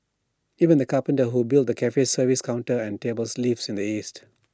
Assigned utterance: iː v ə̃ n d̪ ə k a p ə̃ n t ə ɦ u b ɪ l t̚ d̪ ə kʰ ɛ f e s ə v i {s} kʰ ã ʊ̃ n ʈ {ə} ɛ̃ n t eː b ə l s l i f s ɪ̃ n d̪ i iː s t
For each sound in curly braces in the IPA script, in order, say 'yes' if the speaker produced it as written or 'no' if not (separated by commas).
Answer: yes, yes